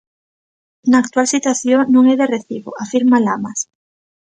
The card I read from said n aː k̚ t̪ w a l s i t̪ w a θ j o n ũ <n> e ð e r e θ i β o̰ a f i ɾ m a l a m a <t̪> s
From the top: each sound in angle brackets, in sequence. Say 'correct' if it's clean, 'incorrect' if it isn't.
incorrect: ŋ, incorrect: none

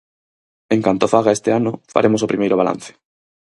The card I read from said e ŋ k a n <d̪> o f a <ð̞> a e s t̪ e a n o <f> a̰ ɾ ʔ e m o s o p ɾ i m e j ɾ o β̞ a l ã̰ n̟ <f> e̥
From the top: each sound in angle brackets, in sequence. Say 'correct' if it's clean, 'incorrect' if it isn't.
incorrect: t̪, incorrect: ɣ̞, correct, incorrect: θ

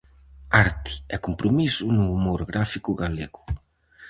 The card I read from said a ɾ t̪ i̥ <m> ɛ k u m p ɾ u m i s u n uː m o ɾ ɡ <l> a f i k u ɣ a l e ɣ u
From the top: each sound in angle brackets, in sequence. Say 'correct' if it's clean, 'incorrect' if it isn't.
incorrect: none, incorrect: ɾ

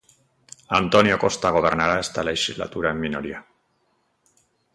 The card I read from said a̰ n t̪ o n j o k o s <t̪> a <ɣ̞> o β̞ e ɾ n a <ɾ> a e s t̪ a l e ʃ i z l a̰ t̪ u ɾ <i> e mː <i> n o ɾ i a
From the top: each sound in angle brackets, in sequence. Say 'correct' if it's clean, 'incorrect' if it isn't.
correct, correct, correct, incorrect: a, correct

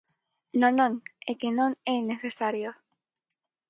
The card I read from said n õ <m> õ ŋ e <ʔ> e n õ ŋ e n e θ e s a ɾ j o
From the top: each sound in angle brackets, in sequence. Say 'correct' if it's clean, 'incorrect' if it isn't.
incorrect: n, incorrect: k

